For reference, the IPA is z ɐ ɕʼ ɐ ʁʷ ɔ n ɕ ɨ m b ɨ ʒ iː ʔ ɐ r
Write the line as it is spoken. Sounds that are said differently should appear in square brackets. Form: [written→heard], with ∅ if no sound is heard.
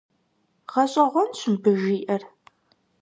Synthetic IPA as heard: [z→ʁ] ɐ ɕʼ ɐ ʁʷ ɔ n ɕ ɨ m b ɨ ʒ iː ʔ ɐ r